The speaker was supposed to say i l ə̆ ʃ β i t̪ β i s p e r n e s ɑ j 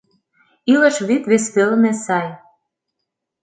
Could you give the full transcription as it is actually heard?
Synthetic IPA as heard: i l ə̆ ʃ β i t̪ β e s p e l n e s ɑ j